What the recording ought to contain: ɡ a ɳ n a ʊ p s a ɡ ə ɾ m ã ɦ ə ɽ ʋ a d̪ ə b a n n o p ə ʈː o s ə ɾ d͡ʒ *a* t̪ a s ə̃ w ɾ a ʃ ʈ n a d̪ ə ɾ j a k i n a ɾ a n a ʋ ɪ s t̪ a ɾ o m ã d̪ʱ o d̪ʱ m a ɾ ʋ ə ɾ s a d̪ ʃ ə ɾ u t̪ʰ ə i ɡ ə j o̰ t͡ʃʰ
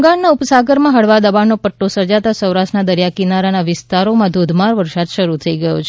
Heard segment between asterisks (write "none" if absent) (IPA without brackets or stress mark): a